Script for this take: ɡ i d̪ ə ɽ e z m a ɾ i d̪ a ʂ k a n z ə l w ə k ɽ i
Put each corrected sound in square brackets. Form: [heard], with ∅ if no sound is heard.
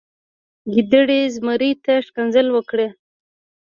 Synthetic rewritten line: ɡ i d̪ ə ɽ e z m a ɾ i [t̪] a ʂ k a n z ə l w ə k ɽ [e]